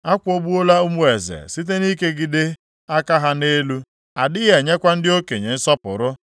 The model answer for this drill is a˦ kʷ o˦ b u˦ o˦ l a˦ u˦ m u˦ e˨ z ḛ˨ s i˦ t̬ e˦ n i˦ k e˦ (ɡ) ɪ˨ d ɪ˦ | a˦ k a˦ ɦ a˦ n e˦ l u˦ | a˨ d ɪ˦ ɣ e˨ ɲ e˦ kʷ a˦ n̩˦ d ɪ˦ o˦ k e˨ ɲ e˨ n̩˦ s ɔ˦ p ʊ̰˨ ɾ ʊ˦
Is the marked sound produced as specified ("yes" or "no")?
yes